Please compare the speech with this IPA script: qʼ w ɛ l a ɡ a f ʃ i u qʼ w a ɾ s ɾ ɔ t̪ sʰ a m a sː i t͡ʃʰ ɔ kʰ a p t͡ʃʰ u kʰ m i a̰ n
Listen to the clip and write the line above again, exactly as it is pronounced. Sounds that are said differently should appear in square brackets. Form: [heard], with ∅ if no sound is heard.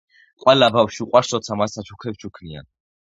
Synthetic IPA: qʼ w ɛ l a [b] a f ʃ i u qʼ w a ɾ s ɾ ɔ t̪ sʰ a m a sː [a] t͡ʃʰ [u] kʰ [ɛ] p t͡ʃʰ u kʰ [n] i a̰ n

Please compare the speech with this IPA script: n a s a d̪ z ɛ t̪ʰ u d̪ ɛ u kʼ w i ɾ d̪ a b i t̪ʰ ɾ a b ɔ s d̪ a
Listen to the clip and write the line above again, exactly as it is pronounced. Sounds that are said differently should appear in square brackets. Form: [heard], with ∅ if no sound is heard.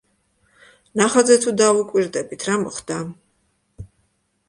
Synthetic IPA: n a [χ] a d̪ z ɛ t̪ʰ u d̪ [a] u kʼ w i ɾ d̪ [ɛ] b i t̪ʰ ɾ a [m] ɔ [χ] d̪ a

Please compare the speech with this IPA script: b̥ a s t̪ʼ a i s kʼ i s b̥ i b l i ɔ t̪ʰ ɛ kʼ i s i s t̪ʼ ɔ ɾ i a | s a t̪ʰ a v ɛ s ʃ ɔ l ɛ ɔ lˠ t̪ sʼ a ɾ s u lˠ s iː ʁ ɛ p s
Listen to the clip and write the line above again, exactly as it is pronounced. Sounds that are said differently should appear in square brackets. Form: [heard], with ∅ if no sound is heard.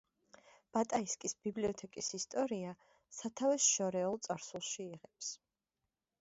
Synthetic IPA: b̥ a [∅] t̪ʼ a i s kʼ i s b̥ i b l i ɔ t̪ʰ ɛ kʼ i s i s t̪ʼ ɔ ɾ i a | s a t̪ʰ a v ɛ s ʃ ɔ [ɾ] ɛ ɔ lˠ t̪ sʼ a ɾ s u lˠ [ʃ] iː ʁ ɛ p s

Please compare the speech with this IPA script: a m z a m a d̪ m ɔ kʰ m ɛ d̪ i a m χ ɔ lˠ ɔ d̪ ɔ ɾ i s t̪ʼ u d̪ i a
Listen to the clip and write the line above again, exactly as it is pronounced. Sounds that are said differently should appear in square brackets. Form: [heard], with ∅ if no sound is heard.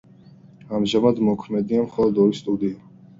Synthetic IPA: a m [ʒ] a m a d̪ m ɔ kʰ m ɛ d̪ i a m χ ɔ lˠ ɔ d̪ ɔ ɾ i s t̪ʼ u d̪ i a

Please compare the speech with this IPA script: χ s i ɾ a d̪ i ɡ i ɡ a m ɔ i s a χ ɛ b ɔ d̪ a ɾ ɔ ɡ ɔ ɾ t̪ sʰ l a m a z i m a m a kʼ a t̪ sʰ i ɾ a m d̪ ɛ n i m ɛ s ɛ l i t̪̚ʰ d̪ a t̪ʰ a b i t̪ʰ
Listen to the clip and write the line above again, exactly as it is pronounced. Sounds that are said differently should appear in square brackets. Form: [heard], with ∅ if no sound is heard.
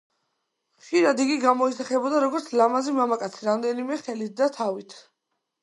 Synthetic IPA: χ [ʃ] i ɾ a d̪ i ɡ i ɡ a m ɔ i s a χ ɛ b ɔ d̪ a ɾ ɔ ɡ ɔ ɾ t̪ sʰ l a m a z i m a m a kʼ a t̪ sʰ i ɾ a m d̪ ɛ n i m ɛ [χ] ɛ l i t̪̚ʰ d̪ a t̪ʰ a [v] i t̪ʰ

